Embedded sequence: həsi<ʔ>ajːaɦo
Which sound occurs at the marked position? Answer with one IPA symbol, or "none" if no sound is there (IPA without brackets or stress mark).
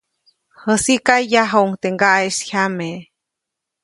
k